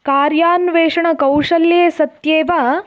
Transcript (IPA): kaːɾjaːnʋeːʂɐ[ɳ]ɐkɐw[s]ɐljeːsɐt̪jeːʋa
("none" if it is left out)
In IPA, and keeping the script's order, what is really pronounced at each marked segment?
ɳ, ʂ

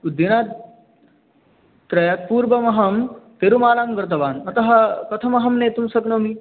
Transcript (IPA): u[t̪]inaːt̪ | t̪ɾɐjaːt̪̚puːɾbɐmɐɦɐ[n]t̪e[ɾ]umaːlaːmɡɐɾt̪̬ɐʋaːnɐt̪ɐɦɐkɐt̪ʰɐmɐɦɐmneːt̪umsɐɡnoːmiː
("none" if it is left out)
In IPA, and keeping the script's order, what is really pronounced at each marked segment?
d̪, m, ɾ

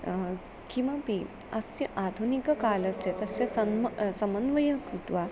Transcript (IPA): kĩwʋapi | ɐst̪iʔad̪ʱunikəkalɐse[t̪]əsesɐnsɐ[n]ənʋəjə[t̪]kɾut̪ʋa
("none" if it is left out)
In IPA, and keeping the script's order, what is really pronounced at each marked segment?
t̪, m, none

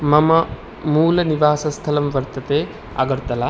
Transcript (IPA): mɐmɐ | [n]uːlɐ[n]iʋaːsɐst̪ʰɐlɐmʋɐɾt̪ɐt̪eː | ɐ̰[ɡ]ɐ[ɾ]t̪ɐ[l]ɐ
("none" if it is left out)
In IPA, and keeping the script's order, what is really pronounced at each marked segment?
m, n, ɡ, ɾ, l

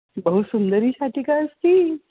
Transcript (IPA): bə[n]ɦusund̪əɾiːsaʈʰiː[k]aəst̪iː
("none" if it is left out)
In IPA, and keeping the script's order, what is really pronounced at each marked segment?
none, k

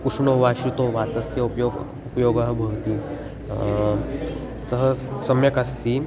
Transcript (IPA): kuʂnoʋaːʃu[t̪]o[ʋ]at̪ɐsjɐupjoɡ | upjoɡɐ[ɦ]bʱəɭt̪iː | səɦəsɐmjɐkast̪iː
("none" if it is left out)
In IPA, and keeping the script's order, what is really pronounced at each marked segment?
t̪, ʋ, ɦ

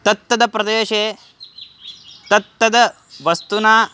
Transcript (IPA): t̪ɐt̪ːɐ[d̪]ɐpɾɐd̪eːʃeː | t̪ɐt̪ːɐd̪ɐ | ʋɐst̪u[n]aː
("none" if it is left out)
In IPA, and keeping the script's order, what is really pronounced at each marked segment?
d̪, n

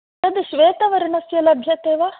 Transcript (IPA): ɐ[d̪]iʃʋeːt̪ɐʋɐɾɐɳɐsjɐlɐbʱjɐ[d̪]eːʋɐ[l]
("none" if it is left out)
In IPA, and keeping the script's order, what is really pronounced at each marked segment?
d̪, t̪, none

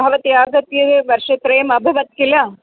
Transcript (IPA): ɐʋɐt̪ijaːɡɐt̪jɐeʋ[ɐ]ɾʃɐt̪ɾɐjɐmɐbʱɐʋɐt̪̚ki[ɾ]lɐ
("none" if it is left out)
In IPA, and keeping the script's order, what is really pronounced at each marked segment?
ɐ, none

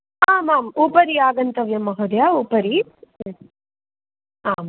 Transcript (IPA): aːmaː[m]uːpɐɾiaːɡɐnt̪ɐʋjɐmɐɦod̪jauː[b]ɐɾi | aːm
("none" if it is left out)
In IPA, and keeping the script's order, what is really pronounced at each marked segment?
m, p

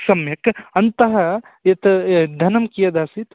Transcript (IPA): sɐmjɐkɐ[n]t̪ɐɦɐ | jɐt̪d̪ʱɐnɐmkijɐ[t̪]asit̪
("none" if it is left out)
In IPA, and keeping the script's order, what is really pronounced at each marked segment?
n, d̪

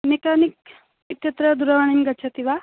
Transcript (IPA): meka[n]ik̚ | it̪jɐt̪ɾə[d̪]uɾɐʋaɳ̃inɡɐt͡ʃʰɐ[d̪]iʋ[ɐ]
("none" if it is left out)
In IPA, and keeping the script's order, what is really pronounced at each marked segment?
n, d̪, t̪, a

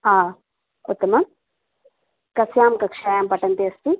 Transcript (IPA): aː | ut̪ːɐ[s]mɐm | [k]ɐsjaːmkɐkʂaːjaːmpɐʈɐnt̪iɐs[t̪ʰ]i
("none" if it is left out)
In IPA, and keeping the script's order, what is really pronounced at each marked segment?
none, k, t̪

